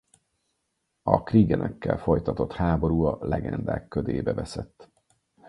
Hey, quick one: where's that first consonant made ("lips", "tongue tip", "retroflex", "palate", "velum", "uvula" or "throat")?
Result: velum